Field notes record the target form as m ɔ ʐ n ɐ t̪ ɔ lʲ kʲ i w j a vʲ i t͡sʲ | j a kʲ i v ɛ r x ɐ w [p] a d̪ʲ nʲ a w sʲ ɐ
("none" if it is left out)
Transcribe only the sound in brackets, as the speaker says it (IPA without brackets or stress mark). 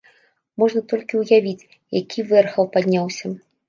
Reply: p